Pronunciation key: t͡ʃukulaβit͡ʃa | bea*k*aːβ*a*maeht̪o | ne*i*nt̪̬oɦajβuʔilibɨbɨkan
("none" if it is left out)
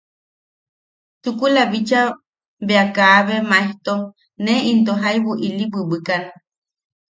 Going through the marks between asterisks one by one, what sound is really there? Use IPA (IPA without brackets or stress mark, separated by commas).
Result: k, e, i